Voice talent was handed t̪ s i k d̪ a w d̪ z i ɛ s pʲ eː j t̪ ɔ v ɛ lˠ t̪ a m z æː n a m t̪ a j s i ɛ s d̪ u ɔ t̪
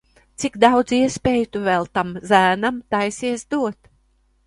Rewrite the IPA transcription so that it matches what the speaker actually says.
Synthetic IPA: t̪ s i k d̪ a w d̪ z i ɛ s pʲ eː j t̪ u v ɛ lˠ t̪ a m z æː n a m t̪ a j s i ɛ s d̪ u ɔ t̪